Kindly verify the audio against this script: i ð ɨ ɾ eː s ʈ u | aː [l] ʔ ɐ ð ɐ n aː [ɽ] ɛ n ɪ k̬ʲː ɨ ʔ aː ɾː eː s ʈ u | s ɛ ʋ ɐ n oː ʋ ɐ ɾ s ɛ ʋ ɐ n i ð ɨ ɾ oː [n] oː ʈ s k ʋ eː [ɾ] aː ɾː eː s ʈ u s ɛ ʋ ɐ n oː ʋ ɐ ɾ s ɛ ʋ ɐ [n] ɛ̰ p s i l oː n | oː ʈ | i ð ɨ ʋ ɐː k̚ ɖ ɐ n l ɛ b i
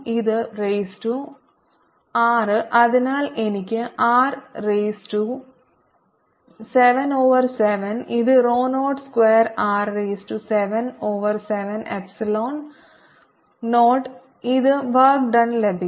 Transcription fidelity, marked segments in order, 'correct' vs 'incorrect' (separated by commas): incorrect, incorrect, correct, correct, correct